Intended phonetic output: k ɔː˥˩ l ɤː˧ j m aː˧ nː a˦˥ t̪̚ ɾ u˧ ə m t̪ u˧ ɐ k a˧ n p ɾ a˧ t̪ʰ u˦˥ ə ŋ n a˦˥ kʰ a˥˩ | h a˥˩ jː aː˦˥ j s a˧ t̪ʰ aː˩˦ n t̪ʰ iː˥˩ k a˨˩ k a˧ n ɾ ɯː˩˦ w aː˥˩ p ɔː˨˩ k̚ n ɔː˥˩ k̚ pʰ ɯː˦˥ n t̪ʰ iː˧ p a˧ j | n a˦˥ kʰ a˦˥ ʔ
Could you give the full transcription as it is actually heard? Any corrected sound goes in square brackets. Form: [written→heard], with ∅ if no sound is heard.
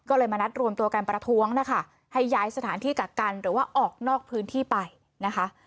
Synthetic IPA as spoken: k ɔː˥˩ l ɤː˧ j m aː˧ [nː→n] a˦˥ t̪̚ ɾ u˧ ə m t̪ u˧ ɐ k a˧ n p ɾ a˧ t̪ʰ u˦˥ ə ŋ n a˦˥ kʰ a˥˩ | h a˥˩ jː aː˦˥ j s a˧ t̪ʰ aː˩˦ n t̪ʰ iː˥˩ k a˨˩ k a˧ n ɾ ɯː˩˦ w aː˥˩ [p→ʔ] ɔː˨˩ k̚ n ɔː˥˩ k̚ pʰ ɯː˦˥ n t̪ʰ [iː˧→iː˥˩] p a˧ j | n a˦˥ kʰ a˦˥ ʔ